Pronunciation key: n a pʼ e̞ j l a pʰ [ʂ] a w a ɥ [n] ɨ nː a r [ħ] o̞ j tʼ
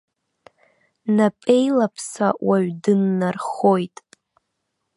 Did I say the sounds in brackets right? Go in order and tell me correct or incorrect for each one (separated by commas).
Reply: incorrect, incorrect, incorrect